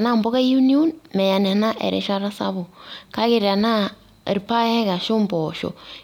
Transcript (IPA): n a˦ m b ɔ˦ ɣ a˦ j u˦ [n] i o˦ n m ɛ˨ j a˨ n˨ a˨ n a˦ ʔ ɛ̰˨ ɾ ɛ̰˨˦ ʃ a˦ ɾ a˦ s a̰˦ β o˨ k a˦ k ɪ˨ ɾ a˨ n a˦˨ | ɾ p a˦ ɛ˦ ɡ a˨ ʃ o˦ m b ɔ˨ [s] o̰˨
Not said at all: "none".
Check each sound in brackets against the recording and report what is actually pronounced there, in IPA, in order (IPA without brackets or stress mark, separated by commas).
n, ʃ